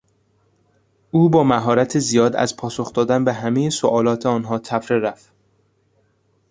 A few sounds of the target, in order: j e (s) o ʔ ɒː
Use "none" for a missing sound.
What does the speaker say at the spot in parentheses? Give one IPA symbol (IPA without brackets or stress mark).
s